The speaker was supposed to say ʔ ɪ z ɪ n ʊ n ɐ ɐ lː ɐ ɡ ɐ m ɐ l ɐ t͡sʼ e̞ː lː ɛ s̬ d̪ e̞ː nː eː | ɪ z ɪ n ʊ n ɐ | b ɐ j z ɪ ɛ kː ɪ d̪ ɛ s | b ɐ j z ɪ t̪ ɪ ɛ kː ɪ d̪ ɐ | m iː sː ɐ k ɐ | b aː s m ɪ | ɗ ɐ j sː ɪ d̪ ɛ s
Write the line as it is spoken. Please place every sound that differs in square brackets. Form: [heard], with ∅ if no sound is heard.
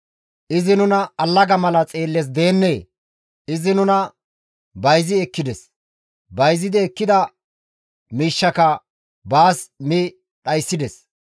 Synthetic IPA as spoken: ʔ ɪ z ɪ n ʊ n ɐ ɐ lː ɐ ɡ ɐ m ɐ l ɐ t͡sʼ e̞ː lː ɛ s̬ d̪ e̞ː nː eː | ɪ z ɪ n ʊ n ɐ | b ɐ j z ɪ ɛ kː ɪ d̪ ɛ s | b ɐ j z ɪ [d̪] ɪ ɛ kː ɪ d̪ ɐ | m iː [ʃː] ɐ k ɐ | b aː s m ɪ | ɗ ɐ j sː ɪ d̪ ɛ s